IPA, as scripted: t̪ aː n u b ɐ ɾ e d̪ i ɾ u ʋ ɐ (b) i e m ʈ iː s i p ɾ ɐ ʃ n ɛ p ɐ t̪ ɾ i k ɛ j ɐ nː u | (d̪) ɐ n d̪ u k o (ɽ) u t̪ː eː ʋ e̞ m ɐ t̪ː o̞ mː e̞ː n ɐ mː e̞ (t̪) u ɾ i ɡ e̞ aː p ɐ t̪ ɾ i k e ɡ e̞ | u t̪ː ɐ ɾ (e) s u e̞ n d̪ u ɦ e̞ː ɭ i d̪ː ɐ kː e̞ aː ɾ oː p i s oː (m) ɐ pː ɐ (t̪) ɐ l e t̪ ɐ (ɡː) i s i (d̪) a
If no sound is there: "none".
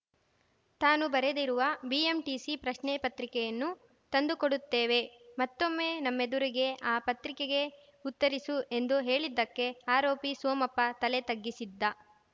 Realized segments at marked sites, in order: b, t̪, ɽ, d̪, i, m, t̪, ɡː, d̪ː

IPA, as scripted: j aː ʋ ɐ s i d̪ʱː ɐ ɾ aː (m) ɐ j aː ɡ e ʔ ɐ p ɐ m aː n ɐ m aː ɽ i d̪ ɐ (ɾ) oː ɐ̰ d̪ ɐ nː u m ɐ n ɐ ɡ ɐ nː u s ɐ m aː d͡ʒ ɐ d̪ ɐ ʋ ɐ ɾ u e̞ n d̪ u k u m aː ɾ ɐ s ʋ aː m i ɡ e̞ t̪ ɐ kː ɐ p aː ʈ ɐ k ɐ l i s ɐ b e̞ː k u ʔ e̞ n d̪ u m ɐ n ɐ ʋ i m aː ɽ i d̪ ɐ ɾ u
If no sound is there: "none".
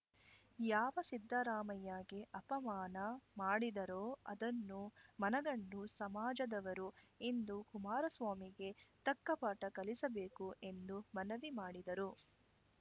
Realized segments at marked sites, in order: m, ɾ

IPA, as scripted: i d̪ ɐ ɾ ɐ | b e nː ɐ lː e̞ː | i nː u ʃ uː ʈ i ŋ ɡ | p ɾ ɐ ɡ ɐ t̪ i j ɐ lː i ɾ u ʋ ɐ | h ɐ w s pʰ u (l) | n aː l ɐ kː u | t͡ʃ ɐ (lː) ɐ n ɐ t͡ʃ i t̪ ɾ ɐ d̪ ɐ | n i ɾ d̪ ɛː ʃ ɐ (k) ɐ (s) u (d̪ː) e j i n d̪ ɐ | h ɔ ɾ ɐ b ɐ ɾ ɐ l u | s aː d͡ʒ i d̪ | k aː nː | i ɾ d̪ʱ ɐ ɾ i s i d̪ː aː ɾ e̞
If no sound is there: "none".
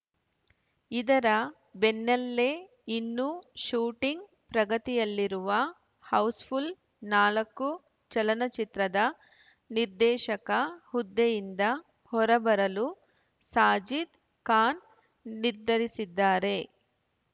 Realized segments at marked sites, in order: l, l, k, h, d̪ː

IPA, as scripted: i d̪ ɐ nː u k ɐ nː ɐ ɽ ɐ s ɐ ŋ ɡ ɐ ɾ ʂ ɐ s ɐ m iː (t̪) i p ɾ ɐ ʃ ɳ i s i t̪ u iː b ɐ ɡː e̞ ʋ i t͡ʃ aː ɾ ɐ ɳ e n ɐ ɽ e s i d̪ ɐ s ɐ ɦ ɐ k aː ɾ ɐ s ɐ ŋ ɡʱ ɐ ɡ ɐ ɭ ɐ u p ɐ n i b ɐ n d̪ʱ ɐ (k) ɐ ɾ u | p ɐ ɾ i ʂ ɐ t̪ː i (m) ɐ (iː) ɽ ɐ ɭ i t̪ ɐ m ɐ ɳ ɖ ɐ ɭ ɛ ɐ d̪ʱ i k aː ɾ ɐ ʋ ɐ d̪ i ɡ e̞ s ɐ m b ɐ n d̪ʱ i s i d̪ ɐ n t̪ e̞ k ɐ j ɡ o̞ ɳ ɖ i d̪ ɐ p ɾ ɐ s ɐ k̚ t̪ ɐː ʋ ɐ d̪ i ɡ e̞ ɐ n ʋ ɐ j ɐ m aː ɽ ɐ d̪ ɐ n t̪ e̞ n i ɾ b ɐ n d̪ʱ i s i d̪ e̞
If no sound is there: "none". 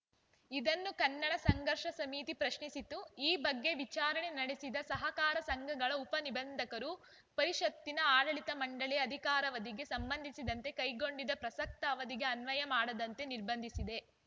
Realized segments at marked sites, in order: t̪, k, n, aː

